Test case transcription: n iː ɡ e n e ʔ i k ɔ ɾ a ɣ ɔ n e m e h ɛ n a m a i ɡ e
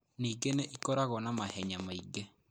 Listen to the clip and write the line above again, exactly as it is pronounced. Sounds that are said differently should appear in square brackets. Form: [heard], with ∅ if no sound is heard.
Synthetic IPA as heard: n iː ɡ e n e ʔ i k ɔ ɾ a ɣ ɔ n [a] m [a] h ɛ [ɲ] a m a i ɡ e